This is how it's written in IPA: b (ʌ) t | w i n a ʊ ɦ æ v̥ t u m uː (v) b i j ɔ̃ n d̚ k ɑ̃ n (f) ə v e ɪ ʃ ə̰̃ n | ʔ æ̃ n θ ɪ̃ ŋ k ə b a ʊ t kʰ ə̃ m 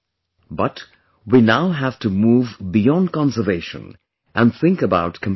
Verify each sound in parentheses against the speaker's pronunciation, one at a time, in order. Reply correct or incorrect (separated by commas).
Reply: correct, correct, incorrect